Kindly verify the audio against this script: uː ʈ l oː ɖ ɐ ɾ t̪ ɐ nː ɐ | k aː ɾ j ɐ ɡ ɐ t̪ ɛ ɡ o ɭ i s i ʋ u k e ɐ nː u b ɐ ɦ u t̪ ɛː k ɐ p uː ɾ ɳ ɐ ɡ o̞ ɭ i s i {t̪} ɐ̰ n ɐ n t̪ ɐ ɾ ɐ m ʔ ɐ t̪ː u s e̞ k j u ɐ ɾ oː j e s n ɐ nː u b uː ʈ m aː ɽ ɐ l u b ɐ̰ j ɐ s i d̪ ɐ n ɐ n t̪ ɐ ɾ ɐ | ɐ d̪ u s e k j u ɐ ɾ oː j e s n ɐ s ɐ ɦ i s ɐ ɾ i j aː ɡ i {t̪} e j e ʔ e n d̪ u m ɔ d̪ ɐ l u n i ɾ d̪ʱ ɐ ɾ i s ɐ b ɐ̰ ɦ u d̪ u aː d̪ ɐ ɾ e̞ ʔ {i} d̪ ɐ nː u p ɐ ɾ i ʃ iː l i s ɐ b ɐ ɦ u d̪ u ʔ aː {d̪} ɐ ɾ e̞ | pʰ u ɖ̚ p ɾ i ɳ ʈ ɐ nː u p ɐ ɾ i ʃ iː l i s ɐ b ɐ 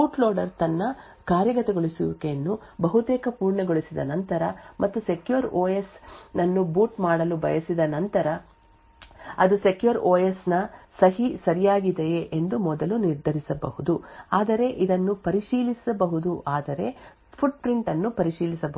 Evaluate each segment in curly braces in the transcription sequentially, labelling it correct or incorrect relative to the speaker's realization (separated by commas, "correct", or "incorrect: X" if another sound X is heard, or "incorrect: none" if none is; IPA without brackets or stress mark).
incorrect: d̪, incorrect: d̪, correct, correct